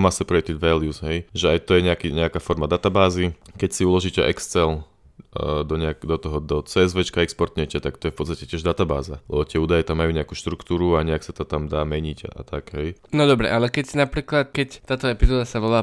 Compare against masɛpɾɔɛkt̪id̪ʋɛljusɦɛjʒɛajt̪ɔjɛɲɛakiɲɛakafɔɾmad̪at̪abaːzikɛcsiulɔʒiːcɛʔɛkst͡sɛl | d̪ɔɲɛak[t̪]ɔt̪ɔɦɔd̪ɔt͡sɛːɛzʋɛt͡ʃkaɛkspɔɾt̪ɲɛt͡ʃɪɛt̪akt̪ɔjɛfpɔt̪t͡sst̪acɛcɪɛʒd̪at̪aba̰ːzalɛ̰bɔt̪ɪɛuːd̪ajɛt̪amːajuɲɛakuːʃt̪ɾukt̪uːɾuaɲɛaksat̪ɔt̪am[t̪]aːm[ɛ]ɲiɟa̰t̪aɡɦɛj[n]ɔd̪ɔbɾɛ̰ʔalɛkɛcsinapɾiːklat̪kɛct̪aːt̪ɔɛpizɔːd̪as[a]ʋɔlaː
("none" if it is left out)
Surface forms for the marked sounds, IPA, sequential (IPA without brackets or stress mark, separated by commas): d̪, d̪, ɛ, n, a